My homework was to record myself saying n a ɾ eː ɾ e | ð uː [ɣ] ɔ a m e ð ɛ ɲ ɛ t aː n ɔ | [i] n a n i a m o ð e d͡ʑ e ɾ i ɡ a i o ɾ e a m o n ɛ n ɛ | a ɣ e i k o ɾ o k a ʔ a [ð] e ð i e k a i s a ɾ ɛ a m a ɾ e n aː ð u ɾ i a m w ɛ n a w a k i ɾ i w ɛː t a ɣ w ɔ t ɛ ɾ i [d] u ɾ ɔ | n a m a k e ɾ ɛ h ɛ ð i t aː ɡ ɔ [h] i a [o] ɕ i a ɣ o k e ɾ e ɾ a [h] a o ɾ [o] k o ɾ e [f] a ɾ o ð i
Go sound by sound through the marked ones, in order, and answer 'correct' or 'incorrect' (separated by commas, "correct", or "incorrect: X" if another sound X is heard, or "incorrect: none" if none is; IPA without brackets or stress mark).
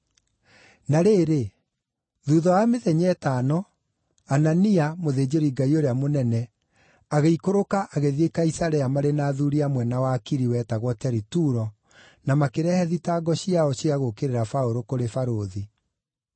incorrect: ð, incorrect: a, incorrect: ɣ, incorrect: t, incorrect: ɕ, incorrect: ɔ, incorrect: f, correct, correct